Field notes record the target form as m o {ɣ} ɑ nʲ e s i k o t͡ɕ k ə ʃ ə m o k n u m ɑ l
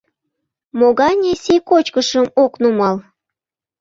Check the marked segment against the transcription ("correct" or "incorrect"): correct